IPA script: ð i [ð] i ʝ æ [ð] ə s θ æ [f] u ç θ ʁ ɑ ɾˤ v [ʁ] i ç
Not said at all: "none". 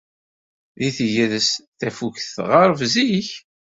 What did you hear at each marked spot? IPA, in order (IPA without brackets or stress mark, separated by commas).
θ, ð, f, z